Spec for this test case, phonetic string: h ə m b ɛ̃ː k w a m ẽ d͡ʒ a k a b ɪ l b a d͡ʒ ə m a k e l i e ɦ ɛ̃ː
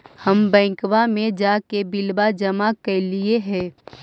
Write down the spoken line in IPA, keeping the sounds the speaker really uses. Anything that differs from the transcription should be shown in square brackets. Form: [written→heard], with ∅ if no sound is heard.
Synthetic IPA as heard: h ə m b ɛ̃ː k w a m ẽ d͡ʒ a k [a→e] b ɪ l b a d͡ʒ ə m a k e l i e ɦ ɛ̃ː